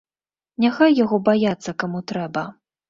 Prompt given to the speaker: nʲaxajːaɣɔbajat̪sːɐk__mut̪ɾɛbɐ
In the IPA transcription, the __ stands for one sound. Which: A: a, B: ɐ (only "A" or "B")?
A